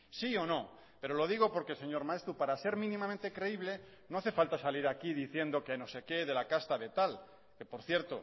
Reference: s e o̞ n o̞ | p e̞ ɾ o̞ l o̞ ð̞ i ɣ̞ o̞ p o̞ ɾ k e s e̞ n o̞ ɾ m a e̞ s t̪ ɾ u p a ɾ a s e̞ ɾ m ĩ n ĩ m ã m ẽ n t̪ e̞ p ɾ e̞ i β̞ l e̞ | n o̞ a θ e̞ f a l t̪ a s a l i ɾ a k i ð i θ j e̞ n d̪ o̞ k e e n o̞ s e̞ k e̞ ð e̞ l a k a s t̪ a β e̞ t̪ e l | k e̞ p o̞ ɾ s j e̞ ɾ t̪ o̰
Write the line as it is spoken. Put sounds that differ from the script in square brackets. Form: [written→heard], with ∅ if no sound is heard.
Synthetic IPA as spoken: s [e→i] o̞ n o̞ | p e̞ ɾ o̞ l o̞ ð̞ i ɣ̞ o̞ p o̞ ɾ k e s e̞ [n→ɲ] o̞ ɾ m a e̞ s t̪ ɾ u p a ɾ a s e̞ ɾ m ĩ n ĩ m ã m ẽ n t̪ e̞ [p→k] ɾ e̞ i β̞ l e̞ | n o̞ a θ e̞ f a l t̪ a s a l i ɾ a k i ð i θ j e̞ n d̪ o̞ k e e n o̞ s e̞ k e̞ ð e̞ l a k a s t̪ a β e̞ t̪ [e→a] l | k e̞ p o̞ ɾ [s→θ] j e̞ ɾ t̪ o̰

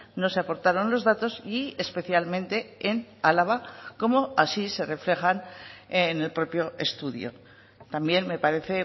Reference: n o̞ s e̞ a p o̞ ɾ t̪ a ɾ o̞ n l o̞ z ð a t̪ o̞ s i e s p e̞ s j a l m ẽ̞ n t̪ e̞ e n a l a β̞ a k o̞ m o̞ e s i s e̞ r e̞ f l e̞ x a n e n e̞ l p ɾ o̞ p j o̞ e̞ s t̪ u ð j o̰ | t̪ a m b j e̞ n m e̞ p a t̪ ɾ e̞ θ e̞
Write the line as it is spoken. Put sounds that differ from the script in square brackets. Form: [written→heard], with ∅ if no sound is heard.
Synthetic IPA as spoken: n o̞ s e̞ a p o̞ ɾ t̪ a ɾ o̞ n l o̞ z ð a t̪ o̞ s i e s p e̞ [s→θ] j a l m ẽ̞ n t̪ e̞ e n a l a β̞ a k o̞ m o̞ [e→a] s i s e̞ r e̞ f l e̞ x a n e n e̞ l p ɾ o̞ p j o̞ e̞ s t̪ u ð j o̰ | t̪ a m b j e̞ n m e̞ p a [t̪→∅] ɾ e̞ θ e̞

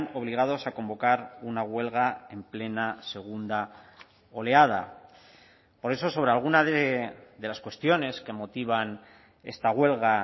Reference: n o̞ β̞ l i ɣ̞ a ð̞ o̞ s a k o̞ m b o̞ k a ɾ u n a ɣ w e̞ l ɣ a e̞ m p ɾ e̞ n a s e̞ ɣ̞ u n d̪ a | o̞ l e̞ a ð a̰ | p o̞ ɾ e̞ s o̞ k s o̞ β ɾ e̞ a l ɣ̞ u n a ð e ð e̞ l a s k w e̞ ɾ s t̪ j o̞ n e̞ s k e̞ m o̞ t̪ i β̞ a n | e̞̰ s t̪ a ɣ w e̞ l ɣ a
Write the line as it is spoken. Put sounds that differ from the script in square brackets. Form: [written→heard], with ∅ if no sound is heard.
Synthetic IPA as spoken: n o̞ β̞ l i ɣ̞ a ð̞ o̞ s a k o̞ m b o̞ k a ɾ u n a ɣ w e̞ l ɣ a e̞ m p [ɾ→l] e̞ n a s e̞ ɣ̞ u n d̪ a | o̞ l e̞ a ð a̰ | p o̞ ɾ e̞ s o̞ [k→∅] s o̞ β ɾ e̞ a l ɣ̞ u n a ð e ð e̞ l a s k w e̞ [ɾ→∅] s t̪ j o̞ n e̞ s k e̞ m o̞ t̪ i β̞ a n | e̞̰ s t̪ a ɣ w e̞ l ɣ a

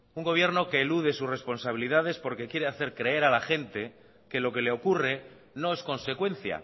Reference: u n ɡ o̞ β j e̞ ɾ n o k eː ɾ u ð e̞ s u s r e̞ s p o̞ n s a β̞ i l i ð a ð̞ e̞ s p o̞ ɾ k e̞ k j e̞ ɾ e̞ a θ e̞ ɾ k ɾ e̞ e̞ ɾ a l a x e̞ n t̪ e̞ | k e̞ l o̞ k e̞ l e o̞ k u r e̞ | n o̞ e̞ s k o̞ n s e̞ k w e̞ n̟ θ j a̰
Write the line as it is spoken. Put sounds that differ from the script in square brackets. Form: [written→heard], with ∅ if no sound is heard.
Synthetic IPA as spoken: u [n→ŋ] ɡ o̞ β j e̞ ɾ n o k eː [ɾ→l] u ð e̞ s u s r e̞ s p o̞ n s a β̞ i l i ð a ð̞ e̞ s p o̞ ɾ k e̞ k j e̞ ɾ e̞ a θ e̞ ɾ k ɾ e̞ e̞ ɾ a l a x e̞ n t̪ e̞ | k e̞ l o̞ k e̞ l e o̞ k u r e̞ | n o̞ e̞ s k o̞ n s e̞ k w e̞ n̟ θ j a̰

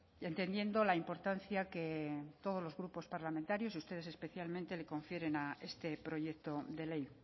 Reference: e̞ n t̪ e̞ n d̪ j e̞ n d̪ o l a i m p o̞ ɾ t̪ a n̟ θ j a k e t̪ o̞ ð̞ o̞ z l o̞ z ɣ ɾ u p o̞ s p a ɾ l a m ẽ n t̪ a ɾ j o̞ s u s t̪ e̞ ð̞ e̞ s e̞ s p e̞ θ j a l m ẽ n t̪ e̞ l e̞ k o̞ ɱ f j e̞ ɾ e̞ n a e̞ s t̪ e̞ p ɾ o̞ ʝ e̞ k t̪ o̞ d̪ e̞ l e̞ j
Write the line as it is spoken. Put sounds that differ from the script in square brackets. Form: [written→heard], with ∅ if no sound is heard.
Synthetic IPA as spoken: e̞ n t̪ e̞ n d̪ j e̞ n d̪ o l a i m p o̞ ɾ t̪ a n̟ θ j a k e t̪ o̞ ð̞ o̞ z l o̞ z ɣ ɾ u p o̞ s p a ɾ l a m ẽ n t̪ a ɾ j o̞ s u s t̪ e̞ ð̞ e̞ s e̞ s p e̞ θ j a l m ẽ n t̪ e̞ l e̞ k o̞ ɱ f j e̞ ɾ e̞ n a e̞ s t̪ e̞ p ɾ o̞ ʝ e̞ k t̪ o̞ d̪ e̞ l e̞ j

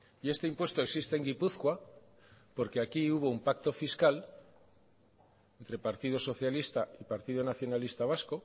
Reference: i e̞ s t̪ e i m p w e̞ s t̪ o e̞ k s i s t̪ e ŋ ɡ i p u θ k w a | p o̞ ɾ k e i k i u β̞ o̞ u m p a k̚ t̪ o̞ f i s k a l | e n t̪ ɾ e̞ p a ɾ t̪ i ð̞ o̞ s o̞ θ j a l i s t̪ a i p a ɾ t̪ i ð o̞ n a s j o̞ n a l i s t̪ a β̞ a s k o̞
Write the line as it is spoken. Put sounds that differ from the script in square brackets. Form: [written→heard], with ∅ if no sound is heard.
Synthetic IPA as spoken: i e̞ s t̪ e i m p w e̞ s t̪ o e̞ k s i s t̪ e ŋ ɡ i p u θ k w a | p o̞ ɾ k e [i→a] k i u β̞ o̞ u m p a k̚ t̪ o̞ f i s k a l | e n t̪ ɾ e̞ p a ɾ t̪ i ð̞ o̞ s o̞ θ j a l i s t̪ a i p a ɾ t̪ i ð o̞ n a [s→θ] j o̞ n a l i s t̪ a β̞ a s k o̞

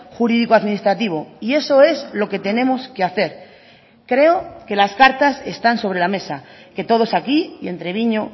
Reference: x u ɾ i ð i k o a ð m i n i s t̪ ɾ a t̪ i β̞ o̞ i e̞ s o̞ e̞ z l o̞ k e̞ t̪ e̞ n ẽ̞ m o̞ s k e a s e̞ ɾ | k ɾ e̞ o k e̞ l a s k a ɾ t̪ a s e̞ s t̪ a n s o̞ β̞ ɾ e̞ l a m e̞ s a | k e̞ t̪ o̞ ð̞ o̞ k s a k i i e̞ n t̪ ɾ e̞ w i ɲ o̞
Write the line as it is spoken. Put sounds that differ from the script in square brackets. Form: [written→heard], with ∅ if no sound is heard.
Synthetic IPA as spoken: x u ɾ i ð i k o a ð m i n i s t̪ ɾ a t̪ i β̞ o̞ i e̞ s o̞ e̞ z l o̞ k e̞ t̪ e̞ n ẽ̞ m o̞ s k e a [s→θ] e̞ ɾ | k ɾ e̞ o k e̞ l a s k a ɾ t̪ a s e̞ s t̪ a n s o̞ β̞ ɾ e̞ l a m e̞ s a | k e̞ t̪ o̞ ð̞ o̞ [k→∅] s a k i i e̞ n t̪ ɾ e̞ [w→β] i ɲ o̞

